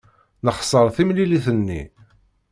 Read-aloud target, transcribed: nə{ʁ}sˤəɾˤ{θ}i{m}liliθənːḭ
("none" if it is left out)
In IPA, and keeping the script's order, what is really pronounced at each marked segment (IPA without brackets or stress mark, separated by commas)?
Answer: χ, θ, m